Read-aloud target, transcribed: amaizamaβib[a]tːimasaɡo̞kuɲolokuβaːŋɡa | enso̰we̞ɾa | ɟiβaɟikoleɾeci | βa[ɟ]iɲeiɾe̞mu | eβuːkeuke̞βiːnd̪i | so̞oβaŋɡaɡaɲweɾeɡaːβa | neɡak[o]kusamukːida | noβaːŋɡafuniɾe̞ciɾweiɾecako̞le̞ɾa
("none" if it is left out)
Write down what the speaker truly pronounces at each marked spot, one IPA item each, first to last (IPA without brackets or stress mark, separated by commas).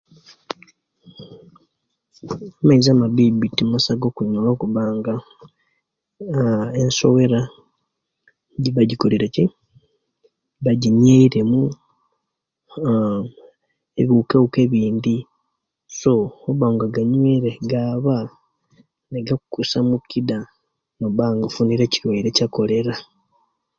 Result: i, ɟ, u